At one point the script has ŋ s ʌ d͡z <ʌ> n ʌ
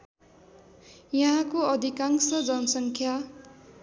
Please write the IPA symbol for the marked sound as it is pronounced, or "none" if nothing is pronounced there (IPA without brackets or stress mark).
ʌ